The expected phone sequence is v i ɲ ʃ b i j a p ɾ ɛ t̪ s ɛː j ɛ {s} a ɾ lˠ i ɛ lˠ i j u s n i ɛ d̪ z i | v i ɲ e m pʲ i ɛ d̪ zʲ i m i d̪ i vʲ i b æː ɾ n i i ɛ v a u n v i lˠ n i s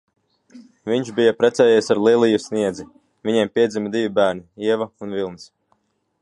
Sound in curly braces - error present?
no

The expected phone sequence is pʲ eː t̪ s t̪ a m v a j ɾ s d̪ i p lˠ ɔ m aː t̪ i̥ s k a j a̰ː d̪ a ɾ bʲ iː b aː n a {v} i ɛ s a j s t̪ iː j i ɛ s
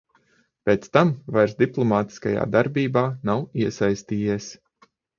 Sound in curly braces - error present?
yes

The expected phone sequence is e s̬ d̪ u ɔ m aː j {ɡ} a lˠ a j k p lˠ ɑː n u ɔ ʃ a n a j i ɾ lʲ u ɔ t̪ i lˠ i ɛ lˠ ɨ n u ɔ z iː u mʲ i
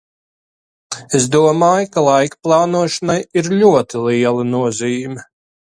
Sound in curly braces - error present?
yes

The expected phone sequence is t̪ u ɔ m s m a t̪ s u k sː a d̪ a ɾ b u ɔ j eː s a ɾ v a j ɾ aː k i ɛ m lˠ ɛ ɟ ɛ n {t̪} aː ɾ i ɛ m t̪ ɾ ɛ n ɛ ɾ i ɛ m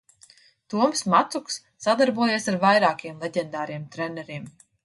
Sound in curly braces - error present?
yes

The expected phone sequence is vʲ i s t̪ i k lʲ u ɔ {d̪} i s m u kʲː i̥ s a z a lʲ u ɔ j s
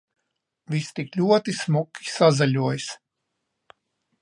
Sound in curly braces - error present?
yes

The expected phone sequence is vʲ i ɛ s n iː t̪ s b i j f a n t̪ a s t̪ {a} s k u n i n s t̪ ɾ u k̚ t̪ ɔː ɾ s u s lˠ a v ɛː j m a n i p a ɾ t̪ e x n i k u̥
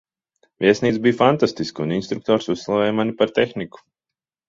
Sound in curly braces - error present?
yes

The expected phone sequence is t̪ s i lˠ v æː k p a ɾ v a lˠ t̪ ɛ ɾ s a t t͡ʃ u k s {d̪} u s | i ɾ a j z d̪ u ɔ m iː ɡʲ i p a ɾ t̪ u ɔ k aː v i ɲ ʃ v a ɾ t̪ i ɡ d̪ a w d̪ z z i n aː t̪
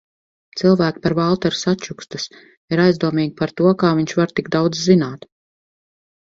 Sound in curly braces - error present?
yes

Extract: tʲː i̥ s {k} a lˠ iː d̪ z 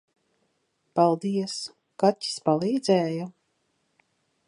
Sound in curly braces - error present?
yes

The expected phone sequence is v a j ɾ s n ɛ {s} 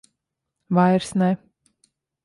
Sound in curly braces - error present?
yes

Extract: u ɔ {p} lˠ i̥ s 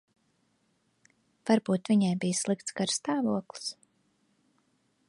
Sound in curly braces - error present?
yes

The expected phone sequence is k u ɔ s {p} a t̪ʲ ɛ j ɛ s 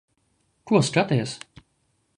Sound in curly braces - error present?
yes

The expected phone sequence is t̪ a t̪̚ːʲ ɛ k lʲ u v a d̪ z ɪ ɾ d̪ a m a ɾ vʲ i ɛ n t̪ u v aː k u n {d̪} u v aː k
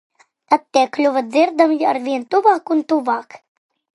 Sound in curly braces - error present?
yes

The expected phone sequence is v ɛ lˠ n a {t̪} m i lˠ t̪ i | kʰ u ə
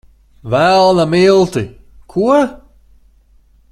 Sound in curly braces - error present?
yes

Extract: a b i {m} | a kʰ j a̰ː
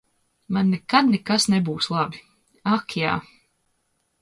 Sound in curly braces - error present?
yes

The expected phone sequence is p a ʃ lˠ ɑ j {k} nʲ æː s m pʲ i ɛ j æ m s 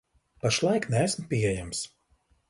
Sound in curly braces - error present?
no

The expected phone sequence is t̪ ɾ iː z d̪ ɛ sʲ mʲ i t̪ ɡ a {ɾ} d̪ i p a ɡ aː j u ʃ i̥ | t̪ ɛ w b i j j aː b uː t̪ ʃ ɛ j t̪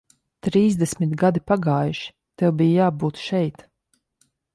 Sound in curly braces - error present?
yes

